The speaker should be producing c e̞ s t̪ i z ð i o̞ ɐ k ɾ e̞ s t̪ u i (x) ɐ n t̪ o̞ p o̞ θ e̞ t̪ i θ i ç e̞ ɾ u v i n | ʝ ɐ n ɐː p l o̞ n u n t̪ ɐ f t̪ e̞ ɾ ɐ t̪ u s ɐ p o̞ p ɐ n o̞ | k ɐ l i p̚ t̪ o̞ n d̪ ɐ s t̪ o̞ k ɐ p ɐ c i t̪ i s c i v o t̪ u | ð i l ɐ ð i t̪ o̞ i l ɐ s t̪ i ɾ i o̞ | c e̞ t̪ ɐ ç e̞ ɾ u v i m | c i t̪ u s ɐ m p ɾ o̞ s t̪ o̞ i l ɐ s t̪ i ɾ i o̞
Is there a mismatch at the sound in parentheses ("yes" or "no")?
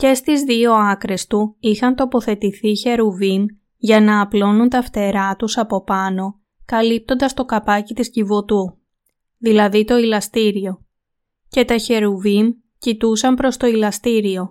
no